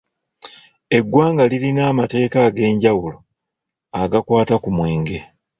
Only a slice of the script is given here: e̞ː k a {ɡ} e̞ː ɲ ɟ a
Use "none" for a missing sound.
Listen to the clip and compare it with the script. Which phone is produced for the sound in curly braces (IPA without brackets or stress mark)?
ɡ